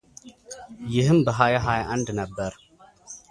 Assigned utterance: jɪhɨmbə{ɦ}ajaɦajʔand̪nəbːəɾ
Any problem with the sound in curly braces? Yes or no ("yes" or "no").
no